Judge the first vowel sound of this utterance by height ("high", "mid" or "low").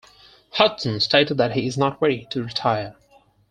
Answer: mid